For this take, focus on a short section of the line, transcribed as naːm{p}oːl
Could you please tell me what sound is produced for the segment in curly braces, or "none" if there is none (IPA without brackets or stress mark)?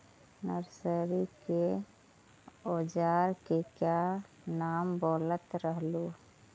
b